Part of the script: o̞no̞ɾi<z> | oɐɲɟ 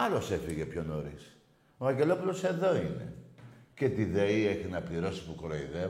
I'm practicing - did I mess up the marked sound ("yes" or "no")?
yes